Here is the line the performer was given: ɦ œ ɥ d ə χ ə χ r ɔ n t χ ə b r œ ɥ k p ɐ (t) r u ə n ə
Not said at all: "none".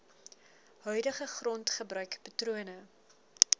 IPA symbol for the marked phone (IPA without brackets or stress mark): t